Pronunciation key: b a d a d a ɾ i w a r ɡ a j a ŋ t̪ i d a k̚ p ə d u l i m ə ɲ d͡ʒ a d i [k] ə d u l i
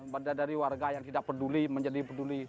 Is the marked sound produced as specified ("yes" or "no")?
no